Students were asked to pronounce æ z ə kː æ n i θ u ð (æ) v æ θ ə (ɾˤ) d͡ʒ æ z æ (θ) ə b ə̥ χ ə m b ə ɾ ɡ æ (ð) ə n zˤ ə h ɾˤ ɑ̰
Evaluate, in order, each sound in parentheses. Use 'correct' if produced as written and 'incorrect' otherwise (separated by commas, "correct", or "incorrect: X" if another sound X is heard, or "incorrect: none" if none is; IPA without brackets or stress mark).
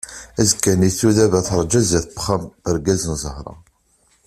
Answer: correct, correct, correct, incorrect: z